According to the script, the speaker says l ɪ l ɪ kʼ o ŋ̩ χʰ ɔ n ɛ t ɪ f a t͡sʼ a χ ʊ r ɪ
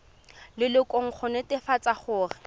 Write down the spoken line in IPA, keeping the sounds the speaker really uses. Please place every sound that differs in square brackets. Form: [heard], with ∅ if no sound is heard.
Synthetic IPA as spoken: l ɪ l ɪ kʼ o ŋ̩ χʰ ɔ n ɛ t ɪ f a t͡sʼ a χ [ʊː] r ɪ

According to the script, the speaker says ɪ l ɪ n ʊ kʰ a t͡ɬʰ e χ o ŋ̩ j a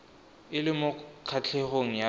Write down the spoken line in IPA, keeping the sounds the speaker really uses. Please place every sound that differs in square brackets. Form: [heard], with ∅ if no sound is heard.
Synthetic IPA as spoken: ɪ l ɪ [m] ʊ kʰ a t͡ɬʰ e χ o ŋ̩ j a

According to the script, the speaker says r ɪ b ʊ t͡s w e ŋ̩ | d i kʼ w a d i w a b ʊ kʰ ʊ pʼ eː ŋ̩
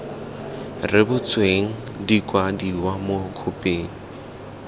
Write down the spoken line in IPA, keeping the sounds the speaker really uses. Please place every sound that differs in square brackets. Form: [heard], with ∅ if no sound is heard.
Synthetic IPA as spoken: r ɪ b ʊ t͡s w e ŋ̩ | d i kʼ w a d i w a [m] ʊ kʰ ʊ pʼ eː ŋ̩

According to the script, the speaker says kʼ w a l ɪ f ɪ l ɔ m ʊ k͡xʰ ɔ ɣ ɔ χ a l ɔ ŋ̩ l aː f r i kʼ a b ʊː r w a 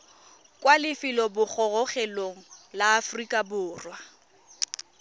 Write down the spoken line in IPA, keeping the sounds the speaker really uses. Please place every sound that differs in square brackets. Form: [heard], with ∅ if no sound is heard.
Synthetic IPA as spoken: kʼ w a l ɪ f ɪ l ɔ [b] ʊ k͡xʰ ɔ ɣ ɔ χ [ɛ] l [o] ŋ̩ l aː f r i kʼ a b ʊː r w a

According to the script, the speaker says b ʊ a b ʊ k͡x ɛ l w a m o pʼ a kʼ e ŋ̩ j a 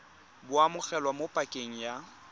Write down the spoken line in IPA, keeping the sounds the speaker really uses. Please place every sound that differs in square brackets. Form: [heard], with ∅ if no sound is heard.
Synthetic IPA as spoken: b ʊ a [m] ʊ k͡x ɛ l w a m o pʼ a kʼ e ŋ̩ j a

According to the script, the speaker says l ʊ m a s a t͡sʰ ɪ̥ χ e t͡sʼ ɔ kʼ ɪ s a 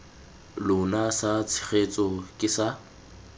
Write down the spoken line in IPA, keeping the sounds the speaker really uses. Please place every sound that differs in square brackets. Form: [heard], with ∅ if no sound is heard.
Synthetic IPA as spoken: l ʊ [n] a s a t͡sʰ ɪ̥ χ e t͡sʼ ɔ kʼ ɪ s a

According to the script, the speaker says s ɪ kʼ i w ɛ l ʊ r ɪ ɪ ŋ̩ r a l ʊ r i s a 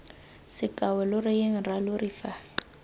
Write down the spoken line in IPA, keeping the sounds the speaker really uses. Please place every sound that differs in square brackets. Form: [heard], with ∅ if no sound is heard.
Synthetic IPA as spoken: s ɪ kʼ [a] w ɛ l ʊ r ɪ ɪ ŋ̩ r a l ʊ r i [f] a

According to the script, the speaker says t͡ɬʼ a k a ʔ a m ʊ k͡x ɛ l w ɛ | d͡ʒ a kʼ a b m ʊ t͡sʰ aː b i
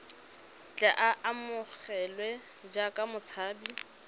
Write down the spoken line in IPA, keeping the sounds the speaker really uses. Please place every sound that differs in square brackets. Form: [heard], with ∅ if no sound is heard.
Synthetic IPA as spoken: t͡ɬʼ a [ʔ] a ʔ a m ʊ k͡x ɛ l w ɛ | d͡ʒ a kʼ a [∅] m ʊ t͡sʰ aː b i

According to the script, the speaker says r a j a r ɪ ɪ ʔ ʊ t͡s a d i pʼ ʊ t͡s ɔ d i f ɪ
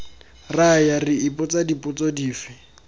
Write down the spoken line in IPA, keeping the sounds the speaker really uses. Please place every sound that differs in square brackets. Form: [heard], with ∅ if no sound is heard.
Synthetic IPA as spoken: r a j a r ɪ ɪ [p] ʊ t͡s a d i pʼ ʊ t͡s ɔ d [iː] f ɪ

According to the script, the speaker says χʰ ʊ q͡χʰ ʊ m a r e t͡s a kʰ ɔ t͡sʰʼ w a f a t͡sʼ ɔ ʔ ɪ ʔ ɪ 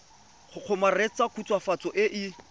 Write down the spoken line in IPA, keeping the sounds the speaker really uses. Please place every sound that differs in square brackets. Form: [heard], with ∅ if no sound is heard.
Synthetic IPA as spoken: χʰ ʊ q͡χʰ ʊ m a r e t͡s a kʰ [u] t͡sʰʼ w a f a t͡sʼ ɔ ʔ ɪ ʔ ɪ

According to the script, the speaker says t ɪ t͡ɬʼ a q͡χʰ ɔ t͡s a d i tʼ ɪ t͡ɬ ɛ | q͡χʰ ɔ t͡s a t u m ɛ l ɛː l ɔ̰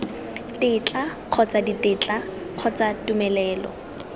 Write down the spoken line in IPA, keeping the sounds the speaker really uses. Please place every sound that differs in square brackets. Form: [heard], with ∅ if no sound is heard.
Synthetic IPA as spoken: t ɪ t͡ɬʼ a q͡χʰ ɔ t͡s a d i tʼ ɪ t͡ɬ [a] | q͡χʰ ɔ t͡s a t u m ɛ l ɛː l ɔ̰

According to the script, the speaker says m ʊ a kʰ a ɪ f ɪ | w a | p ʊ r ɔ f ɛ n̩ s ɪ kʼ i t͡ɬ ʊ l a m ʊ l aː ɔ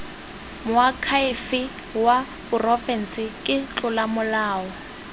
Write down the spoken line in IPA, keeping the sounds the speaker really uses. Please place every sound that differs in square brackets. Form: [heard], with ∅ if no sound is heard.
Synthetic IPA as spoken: m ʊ a kʰ a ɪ f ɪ | w a | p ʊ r ɔ f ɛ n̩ s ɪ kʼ [ɪ] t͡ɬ ʊ l a m ʊ l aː ɔ

